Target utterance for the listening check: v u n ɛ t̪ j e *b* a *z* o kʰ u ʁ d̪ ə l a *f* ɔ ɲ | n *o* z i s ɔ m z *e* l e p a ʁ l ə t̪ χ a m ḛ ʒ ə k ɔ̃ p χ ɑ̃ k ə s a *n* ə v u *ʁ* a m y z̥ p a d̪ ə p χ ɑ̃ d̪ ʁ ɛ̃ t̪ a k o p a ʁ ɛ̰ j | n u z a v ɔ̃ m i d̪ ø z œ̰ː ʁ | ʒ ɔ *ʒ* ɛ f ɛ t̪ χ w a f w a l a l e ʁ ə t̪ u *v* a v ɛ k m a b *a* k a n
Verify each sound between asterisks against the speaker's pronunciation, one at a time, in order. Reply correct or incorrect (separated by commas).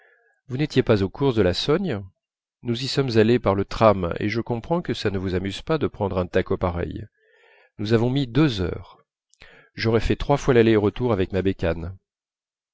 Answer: incorrect, correct, incorrect, incorrect, incorrect, correct, incorrect, incorrect, incorrect, incorrect